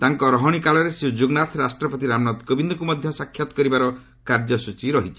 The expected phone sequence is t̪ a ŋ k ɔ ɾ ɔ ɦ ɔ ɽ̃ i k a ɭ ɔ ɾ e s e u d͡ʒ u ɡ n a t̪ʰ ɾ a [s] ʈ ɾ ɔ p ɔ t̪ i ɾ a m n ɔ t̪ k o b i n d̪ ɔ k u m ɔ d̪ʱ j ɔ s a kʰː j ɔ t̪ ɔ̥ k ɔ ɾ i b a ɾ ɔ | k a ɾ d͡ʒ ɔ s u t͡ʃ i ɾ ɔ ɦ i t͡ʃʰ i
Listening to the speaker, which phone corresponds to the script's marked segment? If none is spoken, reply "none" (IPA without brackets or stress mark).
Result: s